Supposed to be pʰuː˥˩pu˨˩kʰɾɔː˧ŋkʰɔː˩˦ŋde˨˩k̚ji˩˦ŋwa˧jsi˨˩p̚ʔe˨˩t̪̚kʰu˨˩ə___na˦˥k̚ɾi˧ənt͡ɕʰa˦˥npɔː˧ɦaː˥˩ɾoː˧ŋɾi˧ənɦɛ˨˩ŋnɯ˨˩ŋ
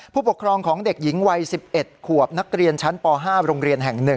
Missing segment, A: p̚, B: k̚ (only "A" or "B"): A